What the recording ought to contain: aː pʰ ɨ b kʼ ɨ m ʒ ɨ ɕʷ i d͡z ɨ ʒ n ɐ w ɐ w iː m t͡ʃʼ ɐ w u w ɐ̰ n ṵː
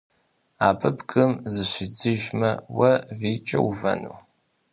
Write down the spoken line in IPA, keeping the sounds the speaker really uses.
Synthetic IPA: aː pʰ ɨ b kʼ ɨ m z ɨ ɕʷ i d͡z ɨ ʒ m ɐ w ɐ v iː t͡ʃʼ ɐ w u v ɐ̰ n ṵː